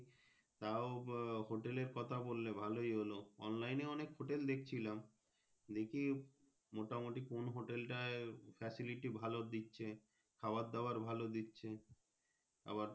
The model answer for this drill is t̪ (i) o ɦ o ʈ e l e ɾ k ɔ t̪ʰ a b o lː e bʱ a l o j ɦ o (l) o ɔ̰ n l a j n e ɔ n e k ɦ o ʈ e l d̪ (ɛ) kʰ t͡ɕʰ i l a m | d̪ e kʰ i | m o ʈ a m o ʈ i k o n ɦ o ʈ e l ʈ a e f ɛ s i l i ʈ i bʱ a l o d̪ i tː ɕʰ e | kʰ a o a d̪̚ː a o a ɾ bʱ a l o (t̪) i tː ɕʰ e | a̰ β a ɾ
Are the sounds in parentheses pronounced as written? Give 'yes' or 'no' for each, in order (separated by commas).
no, yes, no, no